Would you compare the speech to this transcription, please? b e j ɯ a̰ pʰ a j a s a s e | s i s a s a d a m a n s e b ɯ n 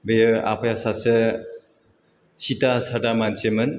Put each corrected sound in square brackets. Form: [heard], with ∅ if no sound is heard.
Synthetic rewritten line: b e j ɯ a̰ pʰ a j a s a s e | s i [t] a s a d a m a n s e [m] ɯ n